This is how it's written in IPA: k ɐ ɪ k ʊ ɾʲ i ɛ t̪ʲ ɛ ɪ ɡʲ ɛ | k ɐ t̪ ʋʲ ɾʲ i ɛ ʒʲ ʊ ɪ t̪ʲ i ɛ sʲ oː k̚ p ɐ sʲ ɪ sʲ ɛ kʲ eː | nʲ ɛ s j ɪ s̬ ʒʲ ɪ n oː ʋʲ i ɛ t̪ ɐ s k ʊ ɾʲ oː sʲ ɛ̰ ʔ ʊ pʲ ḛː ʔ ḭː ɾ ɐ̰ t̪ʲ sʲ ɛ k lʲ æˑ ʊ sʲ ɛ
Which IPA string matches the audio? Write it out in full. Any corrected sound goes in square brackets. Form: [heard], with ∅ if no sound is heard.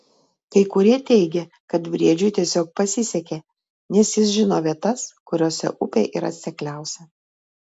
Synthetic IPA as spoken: k ɐ ɪ k ʊ ɾʲ i ɛ t̪ʲ ɛ ɪ ɡʲ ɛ | k ɐ t̪ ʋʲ ɾʲ i ɛ [d͡ʒʲ] ʊ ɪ t̪ʲ i ɛ sʲ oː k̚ p ɐ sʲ ɪ sʲ ɛ kʲ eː | nʲ ɛ s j ɪ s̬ ʒʲ ɪ n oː ʋʲ i ɛ t̪ ɐ s k ʊ ɾʲ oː sʲ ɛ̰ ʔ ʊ pʲ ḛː ʔ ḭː ɾ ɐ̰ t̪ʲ sʲ ɛ k lʲ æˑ ʊ sʲ ɛ